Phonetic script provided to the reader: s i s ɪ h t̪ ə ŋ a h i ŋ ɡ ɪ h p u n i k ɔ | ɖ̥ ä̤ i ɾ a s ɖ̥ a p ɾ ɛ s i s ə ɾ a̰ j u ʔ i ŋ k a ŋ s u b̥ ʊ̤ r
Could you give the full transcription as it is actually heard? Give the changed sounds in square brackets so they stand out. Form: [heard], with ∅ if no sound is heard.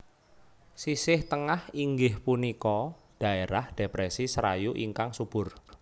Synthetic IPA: s i s ɪ h t̪ ə ŋ a h i ŋ ɡ ɪ h p u n i k ɔ | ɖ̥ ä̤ [e] ɾ a [h] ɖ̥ [e] p ɾ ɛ s i s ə ɾ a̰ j u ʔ i ŋ k a ŋ s u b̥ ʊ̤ r

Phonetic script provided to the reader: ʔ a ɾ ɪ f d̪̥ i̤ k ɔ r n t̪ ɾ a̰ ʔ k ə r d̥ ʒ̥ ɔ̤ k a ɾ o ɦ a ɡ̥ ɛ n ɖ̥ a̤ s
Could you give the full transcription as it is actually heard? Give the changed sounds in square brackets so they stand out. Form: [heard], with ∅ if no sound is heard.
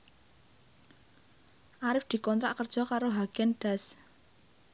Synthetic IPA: ʔ a ɾ ɪ f d̪̥ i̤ k ɔ [∅] n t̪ ɾ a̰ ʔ k ə r d̥ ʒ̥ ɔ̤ k a ɾ o ɦ a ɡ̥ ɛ n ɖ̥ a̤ s

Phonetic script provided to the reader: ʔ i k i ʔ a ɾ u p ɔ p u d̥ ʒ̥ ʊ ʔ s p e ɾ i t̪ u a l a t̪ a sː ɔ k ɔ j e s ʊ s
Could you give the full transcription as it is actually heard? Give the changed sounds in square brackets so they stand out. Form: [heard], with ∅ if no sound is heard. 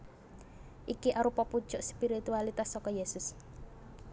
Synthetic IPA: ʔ i k i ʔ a ɾ u p ɔ p u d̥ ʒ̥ ʊ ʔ s p [i] ɾ i t̪ u a l [i] t̪ a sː ɔ k ɔ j e s ʊ s

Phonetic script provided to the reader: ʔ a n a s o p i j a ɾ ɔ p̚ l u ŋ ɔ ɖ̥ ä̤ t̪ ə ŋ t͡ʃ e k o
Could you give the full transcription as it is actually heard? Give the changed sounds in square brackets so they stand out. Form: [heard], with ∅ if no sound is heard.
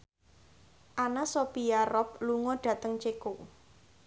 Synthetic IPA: ʔ a n a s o p i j a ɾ ɔ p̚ l u ŋ ɔ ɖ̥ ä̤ t̪ ə ŋ t͡ʃ e k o

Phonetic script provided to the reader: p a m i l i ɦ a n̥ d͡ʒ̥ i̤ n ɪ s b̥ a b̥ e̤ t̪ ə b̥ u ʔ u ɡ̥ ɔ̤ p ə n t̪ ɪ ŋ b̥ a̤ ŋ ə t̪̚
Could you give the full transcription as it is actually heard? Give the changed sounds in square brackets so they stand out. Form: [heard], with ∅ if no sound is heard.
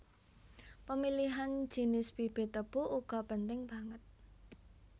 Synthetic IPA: p [ə] m i l i ɦ a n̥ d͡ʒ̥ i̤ n ɪ s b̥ [i] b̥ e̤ t̪ ə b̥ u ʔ u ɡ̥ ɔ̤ p ə n t̪ ɪ ŋ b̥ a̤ ŋ ə t̪̚

